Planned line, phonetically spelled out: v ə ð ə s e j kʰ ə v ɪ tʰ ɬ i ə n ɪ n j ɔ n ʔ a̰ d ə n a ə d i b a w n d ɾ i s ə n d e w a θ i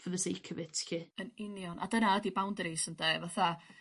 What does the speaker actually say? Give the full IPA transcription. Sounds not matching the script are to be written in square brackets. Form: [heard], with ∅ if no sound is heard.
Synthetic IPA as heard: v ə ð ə s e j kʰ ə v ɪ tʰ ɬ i ə n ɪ n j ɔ n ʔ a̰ d ə n a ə d i b a w n d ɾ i s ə n d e [v] a θ [a]

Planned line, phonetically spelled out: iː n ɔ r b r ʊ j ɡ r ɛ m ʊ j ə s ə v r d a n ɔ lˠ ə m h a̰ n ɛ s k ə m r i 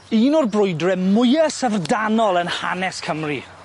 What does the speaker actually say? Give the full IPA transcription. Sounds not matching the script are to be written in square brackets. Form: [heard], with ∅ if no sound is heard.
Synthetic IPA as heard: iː n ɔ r b r ʊ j [d] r ɛ m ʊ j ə s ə v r d a n ɔ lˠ ə [n] h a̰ n ɛ s [kʰ] ə m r i

